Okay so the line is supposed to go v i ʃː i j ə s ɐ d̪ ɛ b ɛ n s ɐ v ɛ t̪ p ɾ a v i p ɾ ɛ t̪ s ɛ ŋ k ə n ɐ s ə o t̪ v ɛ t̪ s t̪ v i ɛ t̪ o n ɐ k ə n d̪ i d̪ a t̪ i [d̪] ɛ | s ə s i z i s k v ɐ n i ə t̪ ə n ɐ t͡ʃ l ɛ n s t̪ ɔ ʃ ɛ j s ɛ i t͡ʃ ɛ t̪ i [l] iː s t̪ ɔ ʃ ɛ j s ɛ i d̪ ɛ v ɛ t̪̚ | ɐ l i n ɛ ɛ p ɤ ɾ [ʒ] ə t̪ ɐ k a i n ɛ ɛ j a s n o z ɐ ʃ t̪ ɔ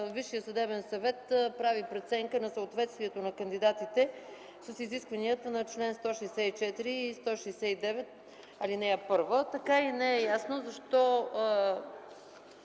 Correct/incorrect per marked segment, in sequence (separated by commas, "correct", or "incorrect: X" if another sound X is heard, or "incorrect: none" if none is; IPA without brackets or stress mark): incorrect: t̪, incorrect: ɾ, incorrect: v